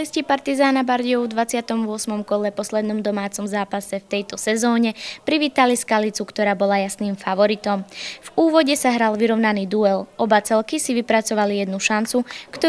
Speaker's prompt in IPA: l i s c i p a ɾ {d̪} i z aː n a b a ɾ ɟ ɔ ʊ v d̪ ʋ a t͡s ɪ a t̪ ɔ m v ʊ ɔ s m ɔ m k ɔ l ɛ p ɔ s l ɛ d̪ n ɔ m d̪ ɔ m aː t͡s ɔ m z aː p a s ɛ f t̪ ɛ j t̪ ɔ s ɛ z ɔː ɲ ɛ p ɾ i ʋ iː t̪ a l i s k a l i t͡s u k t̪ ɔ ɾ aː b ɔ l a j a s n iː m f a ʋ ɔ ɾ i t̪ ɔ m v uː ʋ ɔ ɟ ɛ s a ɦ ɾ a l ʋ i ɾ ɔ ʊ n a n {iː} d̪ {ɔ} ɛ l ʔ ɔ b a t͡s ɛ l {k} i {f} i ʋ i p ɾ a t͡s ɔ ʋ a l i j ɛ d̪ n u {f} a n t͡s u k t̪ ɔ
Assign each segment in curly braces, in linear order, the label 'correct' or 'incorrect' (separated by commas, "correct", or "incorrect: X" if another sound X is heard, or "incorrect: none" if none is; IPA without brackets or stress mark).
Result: incorrect: t̪, correct, incorrect: u, correct, incorrect: s, incorrect: ʃ